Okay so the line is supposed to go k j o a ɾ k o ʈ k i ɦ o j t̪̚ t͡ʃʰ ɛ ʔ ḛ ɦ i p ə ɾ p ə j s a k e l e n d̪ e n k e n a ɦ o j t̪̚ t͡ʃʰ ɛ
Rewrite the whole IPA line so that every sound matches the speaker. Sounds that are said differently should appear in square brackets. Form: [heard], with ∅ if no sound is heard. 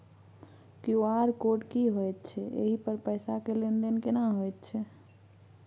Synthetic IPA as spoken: k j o a ɾ k o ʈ k i ɦ o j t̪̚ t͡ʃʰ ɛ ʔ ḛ ɦ i p ə ɾ p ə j s a k e l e n d̪ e n k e n a ɦ o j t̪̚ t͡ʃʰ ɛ